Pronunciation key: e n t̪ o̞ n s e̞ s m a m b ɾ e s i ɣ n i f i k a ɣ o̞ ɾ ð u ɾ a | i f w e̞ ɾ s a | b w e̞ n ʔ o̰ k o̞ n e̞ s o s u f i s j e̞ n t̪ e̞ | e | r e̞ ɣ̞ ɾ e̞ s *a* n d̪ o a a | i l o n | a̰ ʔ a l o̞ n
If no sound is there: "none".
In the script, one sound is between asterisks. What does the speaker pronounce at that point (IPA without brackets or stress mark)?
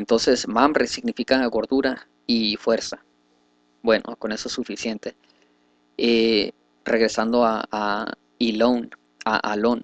a